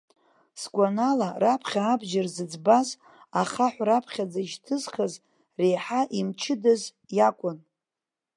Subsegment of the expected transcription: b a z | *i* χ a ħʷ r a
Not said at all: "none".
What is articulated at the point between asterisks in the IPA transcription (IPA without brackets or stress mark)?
a